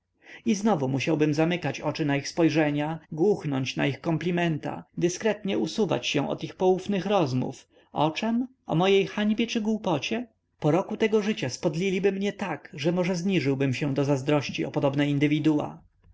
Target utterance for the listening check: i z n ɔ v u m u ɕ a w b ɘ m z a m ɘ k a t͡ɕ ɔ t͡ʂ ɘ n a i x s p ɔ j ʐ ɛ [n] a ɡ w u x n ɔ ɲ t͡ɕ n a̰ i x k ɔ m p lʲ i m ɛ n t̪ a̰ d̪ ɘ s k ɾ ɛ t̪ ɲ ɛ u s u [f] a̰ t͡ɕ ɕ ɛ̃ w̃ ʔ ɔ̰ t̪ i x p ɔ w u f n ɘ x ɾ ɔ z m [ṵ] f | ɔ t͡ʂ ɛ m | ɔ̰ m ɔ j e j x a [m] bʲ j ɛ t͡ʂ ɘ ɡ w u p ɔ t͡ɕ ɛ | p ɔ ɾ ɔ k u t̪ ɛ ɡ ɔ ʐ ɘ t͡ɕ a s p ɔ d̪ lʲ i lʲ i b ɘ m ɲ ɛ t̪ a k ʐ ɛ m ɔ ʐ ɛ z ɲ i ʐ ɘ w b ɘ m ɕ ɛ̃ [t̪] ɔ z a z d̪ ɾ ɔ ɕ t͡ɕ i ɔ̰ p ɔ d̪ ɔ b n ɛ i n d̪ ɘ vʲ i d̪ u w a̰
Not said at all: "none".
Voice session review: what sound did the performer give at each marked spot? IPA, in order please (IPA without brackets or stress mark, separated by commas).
ɲ, v, ṵ, ɲ, d̪